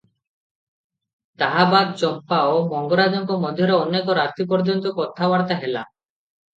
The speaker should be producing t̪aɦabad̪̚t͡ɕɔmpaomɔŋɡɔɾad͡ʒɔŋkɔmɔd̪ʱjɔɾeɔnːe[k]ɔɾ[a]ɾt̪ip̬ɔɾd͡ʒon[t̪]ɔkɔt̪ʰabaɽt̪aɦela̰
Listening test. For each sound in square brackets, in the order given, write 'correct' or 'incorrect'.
correct, correct, correct

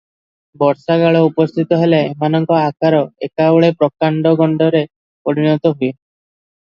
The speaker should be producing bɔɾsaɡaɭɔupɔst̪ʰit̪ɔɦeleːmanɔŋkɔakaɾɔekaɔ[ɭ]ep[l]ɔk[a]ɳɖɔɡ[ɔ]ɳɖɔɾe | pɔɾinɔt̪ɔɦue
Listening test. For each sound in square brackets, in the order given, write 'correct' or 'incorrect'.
correct, incorrect: ɾ, correct, correct

